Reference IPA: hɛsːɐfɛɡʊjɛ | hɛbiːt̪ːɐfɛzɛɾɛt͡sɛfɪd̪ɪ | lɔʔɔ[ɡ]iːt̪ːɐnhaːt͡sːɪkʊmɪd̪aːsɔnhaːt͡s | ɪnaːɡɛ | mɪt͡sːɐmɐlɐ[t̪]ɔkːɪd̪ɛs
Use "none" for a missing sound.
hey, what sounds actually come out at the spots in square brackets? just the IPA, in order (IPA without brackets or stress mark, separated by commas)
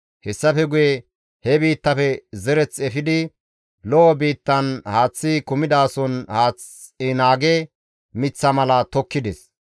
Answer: b, t̪